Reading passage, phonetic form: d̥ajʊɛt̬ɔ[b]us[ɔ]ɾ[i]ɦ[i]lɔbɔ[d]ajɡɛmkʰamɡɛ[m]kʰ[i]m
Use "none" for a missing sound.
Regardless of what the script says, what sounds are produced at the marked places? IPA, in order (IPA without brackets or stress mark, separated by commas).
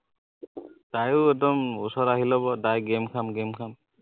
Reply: m, ɔ, a, i, d, m, a